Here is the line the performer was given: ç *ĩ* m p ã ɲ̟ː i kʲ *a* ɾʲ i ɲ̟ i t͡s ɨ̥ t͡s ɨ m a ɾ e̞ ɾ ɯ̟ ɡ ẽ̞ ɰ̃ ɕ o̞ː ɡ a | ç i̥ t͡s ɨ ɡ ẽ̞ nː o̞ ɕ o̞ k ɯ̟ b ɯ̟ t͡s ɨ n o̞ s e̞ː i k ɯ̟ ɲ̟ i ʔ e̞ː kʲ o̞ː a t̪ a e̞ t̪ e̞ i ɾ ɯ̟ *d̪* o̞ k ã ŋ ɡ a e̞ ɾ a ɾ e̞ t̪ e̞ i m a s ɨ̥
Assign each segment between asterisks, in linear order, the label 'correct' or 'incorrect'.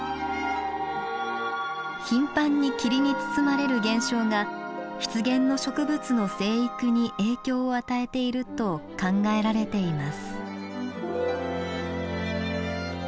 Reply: correct, incorrect, incorrect

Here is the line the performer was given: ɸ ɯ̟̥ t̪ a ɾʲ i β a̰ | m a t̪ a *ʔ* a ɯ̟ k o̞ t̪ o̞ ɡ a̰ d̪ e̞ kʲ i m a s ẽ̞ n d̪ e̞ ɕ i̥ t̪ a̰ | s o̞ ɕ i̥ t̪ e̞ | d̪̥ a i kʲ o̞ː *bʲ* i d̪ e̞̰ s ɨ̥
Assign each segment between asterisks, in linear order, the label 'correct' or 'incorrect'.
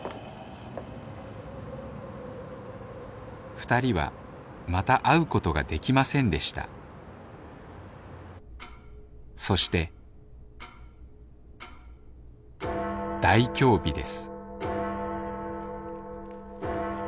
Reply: correct, correct

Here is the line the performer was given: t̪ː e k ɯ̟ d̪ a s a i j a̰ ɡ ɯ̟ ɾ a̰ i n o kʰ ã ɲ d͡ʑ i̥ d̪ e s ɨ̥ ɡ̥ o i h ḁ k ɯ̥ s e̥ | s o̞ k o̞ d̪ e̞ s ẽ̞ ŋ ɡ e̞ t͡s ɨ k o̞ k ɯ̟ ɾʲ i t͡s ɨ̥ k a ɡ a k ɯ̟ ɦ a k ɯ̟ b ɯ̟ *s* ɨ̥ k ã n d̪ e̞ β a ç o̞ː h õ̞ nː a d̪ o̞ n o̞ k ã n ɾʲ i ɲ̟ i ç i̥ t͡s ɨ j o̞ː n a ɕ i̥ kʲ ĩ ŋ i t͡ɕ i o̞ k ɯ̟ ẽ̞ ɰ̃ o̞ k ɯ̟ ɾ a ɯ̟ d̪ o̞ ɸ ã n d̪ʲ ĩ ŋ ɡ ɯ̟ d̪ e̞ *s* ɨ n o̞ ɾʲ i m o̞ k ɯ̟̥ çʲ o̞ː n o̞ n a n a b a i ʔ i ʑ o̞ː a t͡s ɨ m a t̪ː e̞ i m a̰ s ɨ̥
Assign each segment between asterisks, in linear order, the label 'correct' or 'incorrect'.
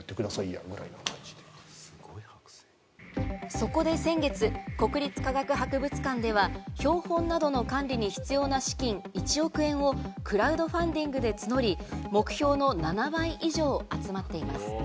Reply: incorrect, incorrect

